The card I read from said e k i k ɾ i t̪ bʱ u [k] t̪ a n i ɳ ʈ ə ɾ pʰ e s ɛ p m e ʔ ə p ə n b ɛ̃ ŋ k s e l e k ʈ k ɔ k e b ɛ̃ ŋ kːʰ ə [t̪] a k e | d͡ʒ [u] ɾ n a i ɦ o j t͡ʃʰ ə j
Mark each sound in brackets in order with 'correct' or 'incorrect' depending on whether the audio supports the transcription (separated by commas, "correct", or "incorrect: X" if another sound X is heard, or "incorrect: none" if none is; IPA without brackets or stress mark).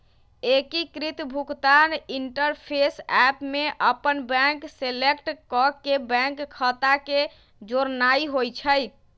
correct, correct, incorrect: o